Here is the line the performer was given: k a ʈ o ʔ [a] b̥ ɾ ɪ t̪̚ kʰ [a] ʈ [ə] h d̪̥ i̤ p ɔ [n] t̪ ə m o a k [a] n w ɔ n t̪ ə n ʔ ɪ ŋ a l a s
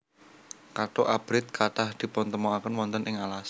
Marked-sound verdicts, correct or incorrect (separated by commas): correct, correct, incorrect, correct, incorrect